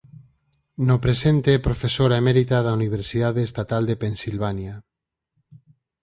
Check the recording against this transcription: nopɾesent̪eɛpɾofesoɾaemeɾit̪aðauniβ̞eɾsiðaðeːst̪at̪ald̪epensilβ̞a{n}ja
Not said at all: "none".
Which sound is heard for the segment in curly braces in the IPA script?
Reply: n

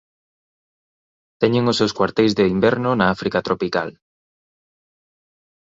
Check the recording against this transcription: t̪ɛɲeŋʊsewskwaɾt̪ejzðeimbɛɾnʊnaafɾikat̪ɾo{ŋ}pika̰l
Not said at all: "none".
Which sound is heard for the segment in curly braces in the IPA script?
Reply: none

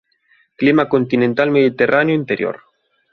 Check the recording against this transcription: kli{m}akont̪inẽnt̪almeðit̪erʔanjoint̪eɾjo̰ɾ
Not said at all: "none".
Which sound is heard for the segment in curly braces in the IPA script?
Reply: m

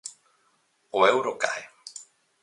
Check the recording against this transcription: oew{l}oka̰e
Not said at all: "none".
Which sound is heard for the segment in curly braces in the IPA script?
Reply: ɾ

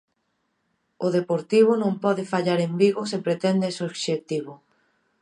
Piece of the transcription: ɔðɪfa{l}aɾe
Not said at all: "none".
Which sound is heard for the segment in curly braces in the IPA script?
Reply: ʎ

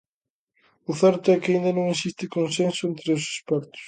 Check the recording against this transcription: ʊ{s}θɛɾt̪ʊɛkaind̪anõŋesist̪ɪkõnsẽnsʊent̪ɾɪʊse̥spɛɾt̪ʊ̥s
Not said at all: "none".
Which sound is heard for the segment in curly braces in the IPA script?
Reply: none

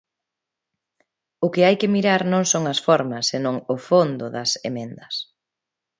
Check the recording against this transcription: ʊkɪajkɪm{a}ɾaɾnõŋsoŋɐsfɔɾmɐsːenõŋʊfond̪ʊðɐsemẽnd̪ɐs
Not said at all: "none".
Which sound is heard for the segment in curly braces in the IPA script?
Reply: i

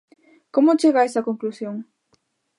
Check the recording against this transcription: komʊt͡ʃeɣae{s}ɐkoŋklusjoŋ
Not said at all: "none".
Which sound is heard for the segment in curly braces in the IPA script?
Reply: s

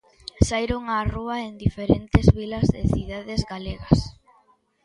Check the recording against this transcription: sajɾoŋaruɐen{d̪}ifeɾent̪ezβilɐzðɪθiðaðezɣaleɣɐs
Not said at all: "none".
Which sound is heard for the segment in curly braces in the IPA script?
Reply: d̪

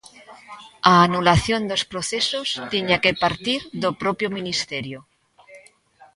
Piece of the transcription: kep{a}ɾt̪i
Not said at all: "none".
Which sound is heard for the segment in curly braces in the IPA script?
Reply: a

